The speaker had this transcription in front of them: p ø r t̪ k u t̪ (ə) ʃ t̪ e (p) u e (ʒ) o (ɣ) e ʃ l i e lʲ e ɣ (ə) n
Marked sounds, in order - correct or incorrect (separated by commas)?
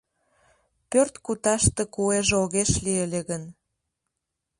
incorrect, incorrect, correct, correct, correct